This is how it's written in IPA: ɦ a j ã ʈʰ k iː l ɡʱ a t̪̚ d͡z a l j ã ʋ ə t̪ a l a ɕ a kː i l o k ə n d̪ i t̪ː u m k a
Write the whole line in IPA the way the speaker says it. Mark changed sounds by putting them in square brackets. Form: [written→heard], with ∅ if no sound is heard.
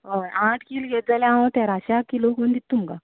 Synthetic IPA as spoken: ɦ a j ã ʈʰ k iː l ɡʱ [a→e] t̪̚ d͡z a l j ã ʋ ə t̪ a [l→ɾ] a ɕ a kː i l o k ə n d̪ i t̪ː u m k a